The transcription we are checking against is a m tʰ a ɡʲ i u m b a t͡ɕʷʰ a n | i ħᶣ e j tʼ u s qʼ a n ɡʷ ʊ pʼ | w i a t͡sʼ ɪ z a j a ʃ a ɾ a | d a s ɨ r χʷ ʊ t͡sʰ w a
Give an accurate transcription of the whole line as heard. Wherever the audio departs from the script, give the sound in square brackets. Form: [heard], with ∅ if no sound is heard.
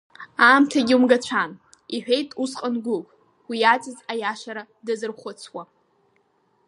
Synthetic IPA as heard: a m tʰ a ɡʲ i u m [ɡ] a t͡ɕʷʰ a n | i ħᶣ e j tʼ u s qʼ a n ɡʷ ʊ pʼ | w i a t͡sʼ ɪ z a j a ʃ a ɾ a | d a [z] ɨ r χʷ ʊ t͡sʰ w a

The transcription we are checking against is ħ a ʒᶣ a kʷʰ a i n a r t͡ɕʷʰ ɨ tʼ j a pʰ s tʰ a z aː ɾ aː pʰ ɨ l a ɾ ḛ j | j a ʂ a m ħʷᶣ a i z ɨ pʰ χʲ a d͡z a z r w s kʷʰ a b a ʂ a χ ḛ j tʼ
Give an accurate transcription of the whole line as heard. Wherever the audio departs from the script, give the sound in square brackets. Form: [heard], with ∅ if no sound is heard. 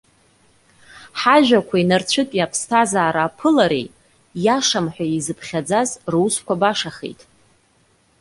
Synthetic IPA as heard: ħ a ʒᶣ a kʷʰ a i n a r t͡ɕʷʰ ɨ tʼ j a pʰ s tʰ a z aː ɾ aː pʰ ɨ l a ɾ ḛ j | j a ʂ a m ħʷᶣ a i z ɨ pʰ χʲ a d͡z a z r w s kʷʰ a b a ʂ a χ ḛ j tʼ

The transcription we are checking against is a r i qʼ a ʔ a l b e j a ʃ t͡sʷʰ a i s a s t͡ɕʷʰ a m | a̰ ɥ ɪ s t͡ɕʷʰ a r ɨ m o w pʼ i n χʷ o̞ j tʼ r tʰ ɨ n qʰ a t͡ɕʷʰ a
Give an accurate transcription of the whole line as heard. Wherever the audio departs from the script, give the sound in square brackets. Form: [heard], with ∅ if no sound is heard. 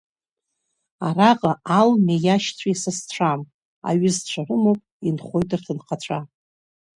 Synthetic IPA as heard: a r [a] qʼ a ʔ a l [m] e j a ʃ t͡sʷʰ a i s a s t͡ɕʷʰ a m | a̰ ɥ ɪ [z] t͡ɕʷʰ a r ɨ m o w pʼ i n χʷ o̞ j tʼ r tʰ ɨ n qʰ a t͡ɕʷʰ a

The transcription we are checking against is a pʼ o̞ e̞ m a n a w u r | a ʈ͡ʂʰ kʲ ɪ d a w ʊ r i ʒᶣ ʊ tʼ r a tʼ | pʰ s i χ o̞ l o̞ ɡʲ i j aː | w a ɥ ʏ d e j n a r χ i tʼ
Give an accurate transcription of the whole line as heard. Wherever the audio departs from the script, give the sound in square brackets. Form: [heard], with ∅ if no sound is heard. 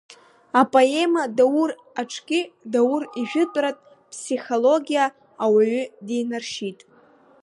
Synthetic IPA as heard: a pʼ o̞ e̞ m a [d] a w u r | a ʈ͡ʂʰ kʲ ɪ d a w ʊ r i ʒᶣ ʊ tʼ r a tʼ | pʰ s i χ o̞ l o̞ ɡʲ i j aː | w a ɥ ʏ d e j n a r [ʃ] i tʼ

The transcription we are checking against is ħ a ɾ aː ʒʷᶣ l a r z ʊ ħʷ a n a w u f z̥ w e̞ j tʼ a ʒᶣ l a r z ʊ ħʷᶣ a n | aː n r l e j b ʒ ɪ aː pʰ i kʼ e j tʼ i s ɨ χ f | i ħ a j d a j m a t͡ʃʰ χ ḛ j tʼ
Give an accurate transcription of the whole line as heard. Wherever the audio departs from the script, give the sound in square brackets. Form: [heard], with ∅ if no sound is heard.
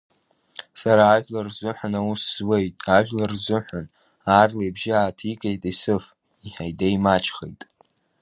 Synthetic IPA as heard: [s] a ɾ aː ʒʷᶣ l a r z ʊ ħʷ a n a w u [s] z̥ w e̞ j tʼ a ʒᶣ l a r z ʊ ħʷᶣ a n | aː [∅] r l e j b ʒ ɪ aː [tʰ] i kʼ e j tʼ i s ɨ [∅] f | i ħ a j d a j m a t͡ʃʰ χ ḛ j tʼ

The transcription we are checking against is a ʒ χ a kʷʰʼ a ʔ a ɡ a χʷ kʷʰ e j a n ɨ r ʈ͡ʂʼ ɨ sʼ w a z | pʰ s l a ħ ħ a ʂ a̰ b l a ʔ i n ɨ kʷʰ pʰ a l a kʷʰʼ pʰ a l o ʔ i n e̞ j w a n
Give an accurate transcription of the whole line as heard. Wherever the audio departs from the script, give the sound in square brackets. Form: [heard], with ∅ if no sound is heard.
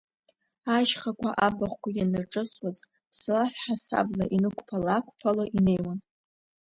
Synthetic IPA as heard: a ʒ χ a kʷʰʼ a ʔ a [b] a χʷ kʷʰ [a] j a n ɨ r ʈ͡ʂʼ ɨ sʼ w a z | pʰ s l a ħ ħ a [s] a̰ b l a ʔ i n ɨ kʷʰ pʰ a l a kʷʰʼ pʰ a l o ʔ i n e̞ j w a n

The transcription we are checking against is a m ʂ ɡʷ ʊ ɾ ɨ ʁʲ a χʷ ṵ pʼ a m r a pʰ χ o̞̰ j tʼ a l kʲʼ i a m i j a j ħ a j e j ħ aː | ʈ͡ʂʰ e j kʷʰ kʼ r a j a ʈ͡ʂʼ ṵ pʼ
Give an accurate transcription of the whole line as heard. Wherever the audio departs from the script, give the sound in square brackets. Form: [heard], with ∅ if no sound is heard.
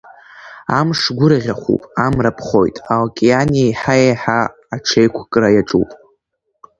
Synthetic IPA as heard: a m ʂ ɡʷ ʊ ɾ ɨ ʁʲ a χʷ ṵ pʼ a m r a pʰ χ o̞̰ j tʼ a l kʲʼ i a [n] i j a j ħ a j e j ħ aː | ʈ͡ʂʰ e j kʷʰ kʼ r a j a ʈ͡ʂʼ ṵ pʼ

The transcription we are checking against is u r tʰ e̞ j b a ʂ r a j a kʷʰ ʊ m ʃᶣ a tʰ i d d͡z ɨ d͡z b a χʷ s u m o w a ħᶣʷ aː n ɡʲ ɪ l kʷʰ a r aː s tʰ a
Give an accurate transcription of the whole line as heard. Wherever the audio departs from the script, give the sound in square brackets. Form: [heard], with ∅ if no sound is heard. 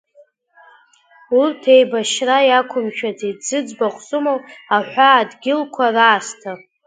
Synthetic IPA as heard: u r tʰ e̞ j b a [ʃ] r a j a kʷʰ ʊ m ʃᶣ a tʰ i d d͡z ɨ d͡z b a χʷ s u m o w a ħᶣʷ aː [d] ɡʲ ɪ l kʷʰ a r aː s tʰ a

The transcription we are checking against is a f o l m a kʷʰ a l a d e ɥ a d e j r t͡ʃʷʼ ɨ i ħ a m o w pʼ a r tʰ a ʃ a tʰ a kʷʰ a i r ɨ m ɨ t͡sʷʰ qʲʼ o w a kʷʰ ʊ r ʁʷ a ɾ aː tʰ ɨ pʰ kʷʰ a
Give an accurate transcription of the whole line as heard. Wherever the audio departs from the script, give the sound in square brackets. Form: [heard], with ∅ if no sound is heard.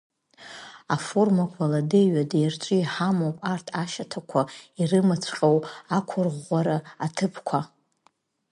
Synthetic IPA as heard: a f o [r] m a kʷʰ a l a d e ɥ a d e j r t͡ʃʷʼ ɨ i ħ a m o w pʼ a r tʰ a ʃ a tʰ a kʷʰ a i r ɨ m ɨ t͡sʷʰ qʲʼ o w a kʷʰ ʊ r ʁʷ a ɾ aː tʰ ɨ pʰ kʷʰ a

